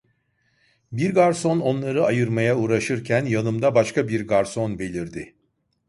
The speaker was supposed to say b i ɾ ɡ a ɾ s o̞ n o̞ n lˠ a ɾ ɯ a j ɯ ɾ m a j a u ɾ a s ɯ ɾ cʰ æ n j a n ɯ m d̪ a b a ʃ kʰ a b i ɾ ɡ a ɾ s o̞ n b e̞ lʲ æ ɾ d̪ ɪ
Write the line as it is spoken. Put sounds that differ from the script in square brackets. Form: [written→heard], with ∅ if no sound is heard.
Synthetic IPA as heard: b i ɾ ɡ a ɾ s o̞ n o̞ n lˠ a ɾ ɯ a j ɯ ɾ m a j a u ɾ a [s→ʃ] ɯ ɾ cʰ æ n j a n ɯ m d̪ a b a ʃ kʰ a b i ɾ ɡ a ɾ s o̞ n b e̞ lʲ [æ→i] ɾ d̪ ɪ